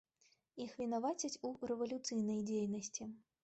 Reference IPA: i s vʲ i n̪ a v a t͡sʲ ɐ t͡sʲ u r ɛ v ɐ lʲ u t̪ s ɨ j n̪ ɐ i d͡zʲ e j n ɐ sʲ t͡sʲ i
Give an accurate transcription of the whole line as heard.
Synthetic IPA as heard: i x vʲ i n̪ a v a t͡sʲ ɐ t͡sʲ u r ɛ v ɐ lʲ u t̪ s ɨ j n̪ ɐ j d͡zʲ e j n ɐ sʲ t͡sʲ i